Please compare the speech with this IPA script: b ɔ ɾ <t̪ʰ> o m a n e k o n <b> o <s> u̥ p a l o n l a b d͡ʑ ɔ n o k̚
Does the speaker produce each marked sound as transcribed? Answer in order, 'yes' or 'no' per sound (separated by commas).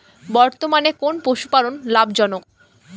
no, no, no